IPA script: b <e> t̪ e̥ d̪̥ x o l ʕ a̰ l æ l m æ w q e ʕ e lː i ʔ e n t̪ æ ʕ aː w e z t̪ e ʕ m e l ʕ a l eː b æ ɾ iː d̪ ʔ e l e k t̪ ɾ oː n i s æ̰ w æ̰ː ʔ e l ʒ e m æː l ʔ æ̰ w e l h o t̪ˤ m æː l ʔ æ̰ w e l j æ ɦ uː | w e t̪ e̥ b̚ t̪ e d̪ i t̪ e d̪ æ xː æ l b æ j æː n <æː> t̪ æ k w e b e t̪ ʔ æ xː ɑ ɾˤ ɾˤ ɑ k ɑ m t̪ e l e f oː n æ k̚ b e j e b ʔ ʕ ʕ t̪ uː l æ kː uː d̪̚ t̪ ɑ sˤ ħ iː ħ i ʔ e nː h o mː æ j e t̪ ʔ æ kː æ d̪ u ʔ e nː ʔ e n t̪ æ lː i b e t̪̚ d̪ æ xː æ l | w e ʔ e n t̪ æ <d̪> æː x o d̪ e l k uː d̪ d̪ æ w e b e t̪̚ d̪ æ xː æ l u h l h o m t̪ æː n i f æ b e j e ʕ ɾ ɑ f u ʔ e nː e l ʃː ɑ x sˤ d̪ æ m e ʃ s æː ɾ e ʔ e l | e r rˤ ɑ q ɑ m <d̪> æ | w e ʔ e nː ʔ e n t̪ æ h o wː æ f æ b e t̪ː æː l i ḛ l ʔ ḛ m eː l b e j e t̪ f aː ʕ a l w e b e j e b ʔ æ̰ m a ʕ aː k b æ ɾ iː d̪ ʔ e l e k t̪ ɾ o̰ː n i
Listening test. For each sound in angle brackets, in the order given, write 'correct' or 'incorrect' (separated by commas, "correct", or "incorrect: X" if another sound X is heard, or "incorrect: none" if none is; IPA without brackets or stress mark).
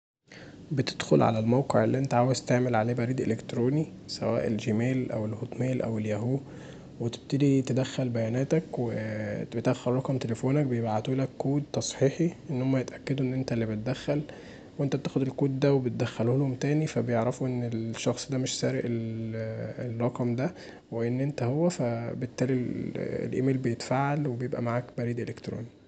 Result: correct, correct, incorrect: t̪, correct